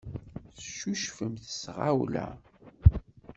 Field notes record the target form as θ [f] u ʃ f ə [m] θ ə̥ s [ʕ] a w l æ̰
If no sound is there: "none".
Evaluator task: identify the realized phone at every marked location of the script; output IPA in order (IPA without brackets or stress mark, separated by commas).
ʃ, m, ʁ